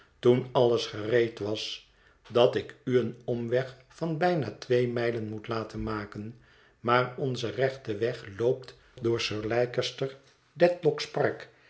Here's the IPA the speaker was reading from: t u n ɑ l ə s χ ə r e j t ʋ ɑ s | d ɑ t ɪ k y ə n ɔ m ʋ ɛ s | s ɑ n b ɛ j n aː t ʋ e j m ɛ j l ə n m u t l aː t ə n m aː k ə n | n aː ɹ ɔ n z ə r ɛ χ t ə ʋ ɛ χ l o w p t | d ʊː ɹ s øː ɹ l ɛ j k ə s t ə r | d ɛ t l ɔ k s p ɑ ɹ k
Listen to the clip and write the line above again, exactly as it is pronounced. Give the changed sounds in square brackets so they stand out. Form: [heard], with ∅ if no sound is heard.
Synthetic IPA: t u n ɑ l ə s χ ə r e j t ʋ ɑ s | d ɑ t ɪ k y ə n ɔ m ʋ ɛ [χ] | [f] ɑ n b ɛ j n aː t ʋ e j m ɛ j l ə n m u t l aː t ə n m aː k ə n | [m] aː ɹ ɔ n z ə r ɛ χ t ə ʋ ɛ χ l o w p t | d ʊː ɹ s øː ɹ l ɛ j k ə s t ə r | d ɛ t l ɔ k s p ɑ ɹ k